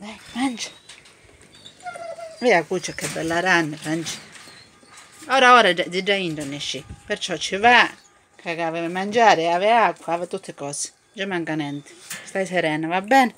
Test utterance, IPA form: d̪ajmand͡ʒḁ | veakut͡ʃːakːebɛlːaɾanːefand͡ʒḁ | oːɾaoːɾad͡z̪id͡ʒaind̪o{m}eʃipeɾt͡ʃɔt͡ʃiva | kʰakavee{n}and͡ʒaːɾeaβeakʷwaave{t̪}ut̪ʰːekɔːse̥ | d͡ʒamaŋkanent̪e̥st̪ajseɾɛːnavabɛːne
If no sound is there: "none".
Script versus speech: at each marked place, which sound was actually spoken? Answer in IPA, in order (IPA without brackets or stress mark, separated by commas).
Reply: n, m, t̪